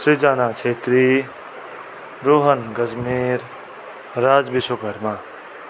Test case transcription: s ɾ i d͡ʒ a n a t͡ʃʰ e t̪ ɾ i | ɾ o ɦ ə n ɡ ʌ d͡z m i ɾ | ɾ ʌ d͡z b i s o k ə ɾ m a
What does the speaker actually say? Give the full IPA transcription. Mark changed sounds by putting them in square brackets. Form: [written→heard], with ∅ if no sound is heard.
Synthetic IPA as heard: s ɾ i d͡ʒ a n a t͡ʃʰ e t̪ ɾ i | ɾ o ɦ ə n ɡ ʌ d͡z m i ɾ | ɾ [ʌ→a] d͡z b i s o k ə ɾ m a